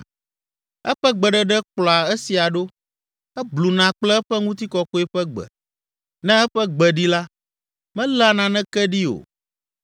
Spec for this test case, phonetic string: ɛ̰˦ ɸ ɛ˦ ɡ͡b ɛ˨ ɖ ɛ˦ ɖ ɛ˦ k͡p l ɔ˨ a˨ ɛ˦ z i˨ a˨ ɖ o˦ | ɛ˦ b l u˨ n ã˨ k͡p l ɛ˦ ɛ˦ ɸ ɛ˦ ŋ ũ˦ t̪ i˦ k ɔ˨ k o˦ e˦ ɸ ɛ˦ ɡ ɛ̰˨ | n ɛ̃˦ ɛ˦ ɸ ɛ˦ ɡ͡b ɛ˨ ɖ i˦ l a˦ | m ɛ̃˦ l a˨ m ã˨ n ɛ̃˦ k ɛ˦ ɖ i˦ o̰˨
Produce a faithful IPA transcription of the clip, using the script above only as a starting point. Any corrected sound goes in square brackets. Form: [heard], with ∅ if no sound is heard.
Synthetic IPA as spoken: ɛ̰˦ ɸ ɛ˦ ɡ͡b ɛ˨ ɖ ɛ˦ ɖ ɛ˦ k͡p l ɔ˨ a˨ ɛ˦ [s] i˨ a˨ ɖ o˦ | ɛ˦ b l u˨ n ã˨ k͡p l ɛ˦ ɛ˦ ɸ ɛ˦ ŋ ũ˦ t̪ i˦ k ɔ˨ k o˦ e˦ ɸ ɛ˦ [ɡ͡b] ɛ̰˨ | n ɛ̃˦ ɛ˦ ɸ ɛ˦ ɡ͡b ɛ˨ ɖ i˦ l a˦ | m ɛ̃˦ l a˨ [n] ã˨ n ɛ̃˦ k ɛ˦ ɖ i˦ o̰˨

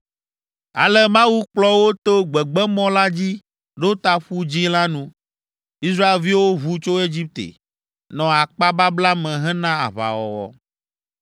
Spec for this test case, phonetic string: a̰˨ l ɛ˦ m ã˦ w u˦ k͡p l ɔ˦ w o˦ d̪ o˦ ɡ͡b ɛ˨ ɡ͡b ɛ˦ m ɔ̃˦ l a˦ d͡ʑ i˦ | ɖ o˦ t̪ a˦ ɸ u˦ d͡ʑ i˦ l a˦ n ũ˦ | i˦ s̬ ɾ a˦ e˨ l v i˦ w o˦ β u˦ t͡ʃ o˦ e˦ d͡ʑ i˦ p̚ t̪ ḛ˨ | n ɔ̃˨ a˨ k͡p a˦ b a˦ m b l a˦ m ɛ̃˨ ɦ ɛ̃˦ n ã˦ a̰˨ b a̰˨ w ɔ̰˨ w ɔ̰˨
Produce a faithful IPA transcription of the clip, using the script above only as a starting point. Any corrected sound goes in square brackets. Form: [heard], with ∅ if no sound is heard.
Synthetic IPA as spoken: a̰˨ l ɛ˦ m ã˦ w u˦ k͡p l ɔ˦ w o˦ [t̪] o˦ ɡ͡b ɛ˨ ɡ͡b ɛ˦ m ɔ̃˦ l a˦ d͡ʑ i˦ | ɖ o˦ t̪ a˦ ɸ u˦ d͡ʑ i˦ l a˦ n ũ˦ | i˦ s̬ ɾ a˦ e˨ l v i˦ w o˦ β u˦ t͡ʃ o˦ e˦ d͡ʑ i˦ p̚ t̪ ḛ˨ | n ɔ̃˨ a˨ k͡p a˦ b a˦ [∅] b l a˦ m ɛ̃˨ ɦ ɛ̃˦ n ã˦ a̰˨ [β] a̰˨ w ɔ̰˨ w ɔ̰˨

